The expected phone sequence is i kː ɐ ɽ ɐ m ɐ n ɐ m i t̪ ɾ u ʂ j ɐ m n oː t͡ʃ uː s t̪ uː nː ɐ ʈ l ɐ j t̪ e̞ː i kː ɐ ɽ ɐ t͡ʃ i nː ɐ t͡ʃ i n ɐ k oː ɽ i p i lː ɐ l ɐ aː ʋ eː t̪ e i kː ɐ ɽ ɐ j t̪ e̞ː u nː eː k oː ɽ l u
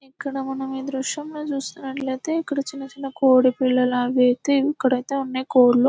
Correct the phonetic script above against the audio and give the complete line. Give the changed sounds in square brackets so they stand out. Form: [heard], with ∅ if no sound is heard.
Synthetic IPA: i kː ɐ ɽ ɐ m ɐ n ɐ m i [d̪] ɾ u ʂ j ɐ m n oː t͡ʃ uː s t̪ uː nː ɐ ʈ l ɐ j t̪ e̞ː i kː ɐ ɽ ɐ t͡ʃ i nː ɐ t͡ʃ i n ɐ k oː ɽ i p i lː ɐ l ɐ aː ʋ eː t̪ e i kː ɐ ɽ ɐ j t̪ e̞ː u nː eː k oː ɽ l u